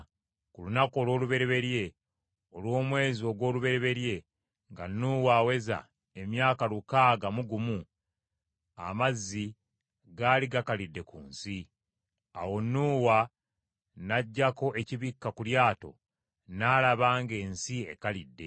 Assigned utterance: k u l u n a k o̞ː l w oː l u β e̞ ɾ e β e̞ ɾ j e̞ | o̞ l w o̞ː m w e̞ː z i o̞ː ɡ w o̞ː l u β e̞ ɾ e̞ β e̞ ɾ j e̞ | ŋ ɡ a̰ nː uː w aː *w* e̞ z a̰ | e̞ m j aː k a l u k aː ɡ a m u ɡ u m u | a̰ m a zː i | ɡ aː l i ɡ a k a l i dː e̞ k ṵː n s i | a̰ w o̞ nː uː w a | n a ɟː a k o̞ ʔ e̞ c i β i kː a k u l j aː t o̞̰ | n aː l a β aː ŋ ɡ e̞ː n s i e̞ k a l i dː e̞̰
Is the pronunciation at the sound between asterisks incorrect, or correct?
correct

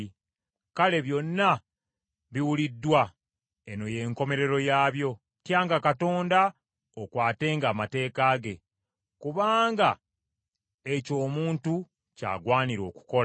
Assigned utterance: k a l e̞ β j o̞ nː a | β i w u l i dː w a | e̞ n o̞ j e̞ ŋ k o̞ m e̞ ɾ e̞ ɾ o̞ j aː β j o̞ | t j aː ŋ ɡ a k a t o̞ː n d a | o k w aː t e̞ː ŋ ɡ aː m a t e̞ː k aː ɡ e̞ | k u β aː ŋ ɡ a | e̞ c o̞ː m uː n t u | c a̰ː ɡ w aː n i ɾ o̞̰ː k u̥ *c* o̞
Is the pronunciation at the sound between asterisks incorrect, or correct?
incorrect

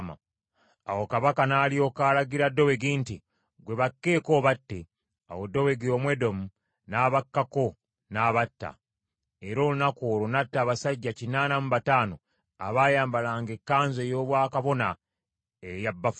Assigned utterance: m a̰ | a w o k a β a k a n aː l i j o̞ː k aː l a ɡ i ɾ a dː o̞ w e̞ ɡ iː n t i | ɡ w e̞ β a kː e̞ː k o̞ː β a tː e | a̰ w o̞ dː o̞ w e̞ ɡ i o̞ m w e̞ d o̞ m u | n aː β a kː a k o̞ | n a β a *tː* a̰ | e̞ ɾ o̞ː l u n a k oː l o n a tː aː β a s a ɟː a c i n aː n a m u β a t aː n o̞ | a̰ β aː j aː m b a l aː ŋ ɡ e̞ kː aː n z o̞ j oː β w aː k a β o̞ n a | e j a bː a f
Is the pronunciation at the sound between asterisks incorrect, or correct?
correct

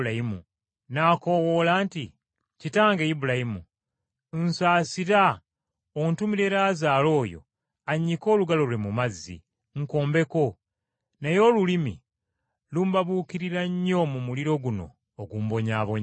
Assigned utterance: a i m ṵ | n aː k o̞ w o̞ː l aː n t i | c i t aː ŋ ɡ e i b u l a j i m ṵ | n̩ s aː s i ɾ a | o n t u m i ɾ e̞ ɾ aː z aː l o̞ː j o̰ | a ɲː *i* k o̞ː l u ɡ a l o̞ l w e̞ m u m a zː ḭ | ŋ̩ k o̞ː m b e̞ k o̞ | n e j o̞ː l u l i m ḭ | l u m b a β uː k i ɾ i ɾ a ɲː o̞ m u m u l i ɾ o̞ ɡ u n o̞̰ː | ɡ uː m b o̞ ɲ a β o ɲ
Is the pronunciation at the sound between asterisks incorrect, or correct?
correct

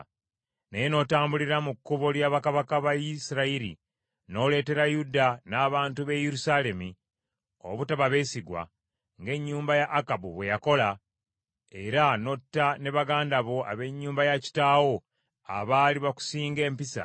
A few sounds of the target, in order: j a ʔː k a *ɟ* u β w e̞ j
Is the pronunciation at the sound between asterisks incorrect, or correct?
incorrect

